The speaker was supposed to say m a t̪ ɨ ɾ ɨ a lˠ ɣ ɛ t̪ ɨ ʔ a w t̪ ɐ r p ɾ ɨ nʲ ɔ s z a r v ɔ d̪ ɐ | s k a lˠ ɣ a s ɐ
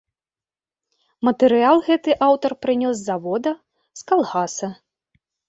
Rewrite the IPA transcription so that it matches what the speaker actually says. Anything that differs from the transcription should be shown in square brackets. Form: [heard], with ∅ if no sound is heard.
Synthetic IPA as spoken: m [ɐ] t̪ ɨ ɾ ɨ a lˠ ɣ ɛ t̪ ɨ ʔ a w t̪ ɐ r p ɾ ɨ nʲ ɔ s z a [∅] v ɔ d̪ ɐ | s k a lˠ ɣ a s ɐ